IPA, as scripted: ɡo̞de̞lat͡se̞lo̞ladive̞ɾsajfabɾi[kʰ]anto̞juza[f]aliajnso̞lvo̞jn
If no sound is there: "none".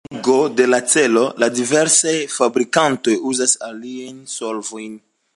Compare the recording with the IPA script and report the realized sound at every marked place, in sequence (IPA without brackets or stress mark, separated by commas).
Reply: k, s